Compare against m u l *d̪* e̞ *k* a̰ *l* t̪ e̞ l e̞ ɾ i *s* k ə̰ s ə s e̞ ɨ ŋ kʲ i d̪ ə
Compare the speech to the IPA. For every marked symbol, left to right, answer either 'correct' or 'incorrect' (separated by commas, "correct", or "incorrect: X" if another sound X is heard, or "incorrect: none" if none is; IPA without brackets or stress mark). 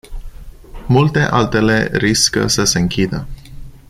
incorrect: t̪, incorrect: ʔ, correct, correct